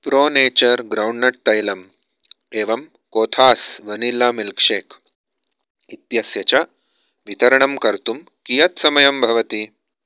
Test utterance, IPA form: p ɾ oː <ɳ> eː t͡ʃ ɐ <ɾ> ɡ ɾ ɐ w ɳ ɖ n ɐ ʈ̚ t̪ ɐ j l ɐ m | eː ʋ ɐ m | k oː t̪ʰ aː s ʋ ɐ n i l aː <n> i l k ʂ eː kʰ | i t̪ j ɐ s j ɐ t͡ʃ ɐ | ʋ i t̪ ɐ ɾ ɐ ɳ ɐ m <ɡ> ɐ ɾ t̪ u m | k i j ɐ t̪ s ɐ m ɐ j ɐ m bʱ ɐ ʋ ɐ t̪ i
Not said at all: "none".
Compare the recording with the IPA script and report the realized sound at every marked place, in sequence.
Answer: n, ɾ, m, k

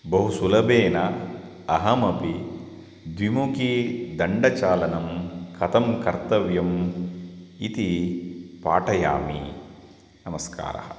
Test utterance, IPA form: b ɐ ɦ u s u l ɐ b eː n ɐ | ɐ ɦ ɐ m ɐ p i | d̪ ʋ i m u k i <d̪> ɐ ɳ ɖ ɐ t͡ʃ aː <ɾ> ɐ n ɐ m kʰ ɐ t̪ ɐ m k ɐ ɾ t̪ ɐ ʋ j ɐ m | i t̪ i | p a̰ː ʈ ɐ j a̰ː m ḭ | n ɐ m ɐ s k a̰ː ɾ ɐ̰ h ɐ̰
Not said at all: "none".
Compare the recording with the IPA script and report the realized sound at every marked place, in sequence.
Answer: d̪, l

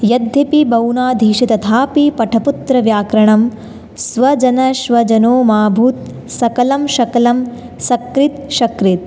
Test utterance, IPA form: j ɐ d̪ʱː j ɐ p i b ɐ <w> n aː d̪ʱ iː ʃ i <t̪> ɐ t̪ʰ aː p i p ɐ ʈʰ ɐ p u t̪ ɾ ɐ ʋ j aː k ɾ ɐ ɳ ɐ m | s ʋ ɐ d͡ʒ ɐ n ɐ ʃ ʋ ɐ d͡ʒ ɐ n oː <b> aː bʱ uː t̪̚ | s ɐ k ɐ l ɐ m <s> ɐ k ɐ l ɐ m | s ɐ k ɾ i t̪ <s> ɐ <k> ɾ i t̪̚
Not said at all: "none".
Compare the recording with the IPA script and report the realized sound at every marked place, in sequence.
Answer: w, t̪, m, ʃ, ʃ, k

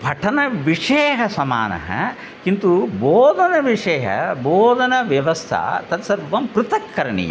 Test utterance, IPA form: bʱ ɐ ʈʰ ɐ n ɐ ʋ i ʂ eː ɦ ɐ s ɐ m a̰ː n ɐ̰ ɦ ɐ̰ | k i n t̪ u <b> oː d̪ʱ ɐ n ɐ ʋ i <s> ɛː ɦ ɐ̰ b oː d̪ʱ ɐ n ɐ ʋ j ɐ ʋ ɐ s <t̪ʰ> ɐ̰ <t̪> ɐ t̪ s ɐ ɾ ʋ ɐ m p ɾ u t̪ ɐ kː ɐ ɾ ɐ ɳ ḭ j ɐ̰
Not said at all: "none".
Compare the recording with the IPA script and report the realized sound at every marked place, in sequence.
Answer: b, ʂ, t̪ʰ, t̪

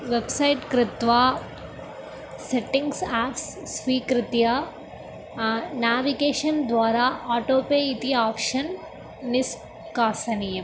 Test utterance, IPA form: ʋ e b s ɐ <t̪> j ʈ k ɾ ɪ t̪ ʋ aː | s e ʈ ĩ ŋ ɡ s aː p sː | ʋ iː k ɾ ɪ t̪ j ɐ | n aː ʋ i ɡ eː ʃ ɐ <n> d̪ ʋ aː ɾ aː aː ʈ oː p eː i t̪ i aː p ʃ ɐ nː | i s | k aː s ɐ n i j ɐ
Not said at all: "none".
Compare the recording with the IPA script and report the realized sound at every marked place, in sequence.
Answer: none, n

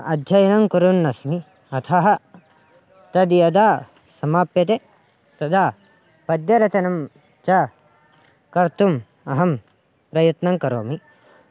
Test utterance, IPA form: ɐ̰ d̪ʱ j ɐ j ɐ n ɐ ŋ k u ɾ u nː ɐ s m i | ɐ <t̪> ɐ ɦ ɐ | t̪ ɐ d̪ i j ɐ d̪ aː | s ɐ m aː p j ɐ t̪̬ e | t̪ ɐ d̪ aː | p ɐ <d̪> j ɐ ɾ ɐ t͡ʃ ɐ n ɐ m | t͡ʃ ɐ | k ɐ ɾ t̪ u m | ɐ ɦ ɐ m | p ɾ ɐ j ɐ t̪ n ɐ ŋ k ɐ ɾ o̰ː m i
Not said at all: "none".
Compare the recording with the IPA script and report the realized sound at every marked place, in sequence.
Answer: t̪ʰ, d̪

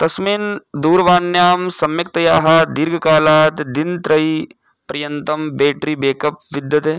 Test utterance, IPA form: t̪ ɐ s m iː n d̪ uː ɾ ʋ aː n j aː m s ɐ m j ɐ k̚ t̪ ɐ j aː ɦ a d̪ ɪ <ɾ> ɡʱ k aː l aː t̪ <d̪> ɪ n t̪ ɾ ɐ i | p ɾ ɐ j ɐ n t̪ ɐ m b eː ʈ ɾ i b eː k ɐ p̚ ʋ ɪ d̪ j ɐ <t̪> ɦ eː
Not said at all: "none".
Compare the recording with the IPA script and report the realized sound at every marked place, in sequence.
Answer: ɾ, d̪, t̪

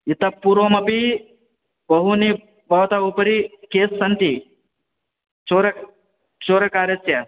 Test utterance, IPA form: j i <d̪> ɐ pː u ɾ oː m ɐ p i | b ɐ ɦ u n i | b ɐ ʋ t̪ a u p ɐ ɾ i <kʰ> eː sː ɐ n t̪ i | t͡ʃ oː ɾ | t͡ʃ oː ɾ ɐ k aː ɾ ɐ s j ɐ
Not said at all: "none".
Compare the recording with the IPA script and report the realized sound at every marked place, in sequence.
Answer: t̪, k

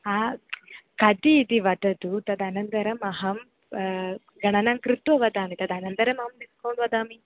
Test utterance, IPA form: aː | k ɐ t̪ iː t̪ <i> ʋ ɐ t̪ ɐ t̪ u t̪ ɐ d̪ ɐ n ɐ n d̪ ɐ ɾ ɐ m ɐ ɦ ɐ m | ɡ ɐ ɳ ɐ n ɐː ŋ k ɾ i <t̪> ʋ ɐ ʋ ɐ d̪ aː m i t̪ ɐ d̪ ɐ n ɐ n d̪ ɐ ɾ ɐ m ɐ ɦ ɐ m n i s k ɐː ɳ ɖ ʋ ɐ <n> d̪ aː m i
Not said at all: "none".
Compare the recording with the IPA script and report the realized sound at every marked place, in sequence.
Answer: i, t̪, none

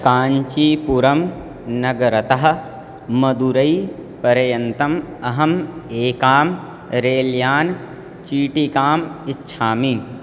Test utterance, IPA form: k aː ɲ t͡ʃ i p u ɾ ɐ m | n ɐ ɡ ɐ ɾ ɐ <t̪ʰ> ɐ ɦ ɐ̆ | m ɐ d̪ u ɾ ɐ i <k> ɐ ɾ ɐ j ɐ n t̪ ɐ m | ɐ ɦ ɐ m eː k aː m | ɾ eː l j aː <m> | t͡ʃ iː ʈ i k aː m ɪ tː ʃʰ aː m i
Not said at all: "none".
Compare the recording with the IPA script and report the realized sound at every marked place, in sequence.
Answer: t̪, p, n

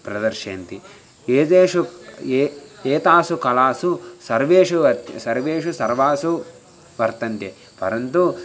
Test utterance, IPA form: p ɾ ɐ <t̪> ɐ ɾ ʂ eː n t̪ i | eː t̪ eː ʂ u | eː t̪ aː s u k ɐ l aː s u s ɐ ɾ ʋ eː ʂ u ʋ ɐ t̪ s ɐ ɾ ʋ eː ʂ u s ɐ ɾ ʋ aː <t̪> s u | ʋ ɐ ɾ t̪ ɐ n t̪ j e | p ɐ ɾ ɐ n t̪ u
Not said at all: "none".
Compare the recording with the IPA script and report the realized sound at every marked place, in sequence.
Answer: d̪, none

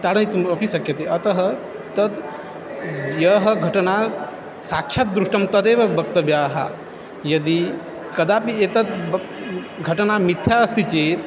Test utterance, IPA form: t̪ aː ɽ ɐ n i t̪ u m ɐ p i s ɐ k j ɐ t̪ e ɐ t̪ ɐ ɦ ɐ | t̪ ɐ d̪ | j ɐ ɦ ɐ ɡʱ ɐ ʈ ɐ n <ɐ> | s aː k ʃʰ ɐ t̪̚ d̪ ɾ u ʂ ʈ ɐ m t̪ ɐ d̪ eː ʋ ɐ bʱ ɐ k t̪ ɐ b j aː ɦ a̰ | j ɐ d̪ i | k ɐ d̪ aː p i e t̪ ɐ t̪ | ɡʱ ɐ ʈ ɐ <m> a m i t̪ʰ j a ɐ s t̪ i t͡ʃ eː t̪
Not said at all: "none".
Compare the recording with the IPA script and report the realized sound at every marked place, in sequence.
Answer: a, n

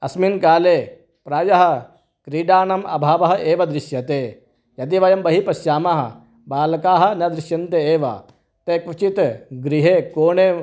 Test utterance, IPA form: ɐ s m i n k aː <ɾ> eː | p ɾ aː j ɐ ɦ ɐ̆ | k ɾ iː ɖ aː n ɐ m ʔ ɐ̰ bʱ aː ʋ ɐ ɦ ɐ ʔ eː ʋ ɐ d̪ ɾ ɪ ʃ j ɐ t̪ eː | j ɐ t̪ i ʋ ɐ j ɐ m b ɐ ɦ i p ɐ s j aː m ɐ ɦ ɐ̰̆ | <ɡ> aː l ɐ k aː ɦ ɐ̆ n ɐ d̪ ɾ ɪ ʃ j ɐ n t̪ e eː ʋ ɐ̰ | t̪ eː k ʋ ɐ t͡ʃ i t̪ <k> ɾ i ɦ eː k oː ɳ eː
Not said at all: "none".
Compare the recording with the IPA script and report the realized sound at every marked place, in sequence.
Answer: l, b, ɡ

